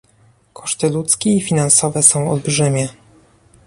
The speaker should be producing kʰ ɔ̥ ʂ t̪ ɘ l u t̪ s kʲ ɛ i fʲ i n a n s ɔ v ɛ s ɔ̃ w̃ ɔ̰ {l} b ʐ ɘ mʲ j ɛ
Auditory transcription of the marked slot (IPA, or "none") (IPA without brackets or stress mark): l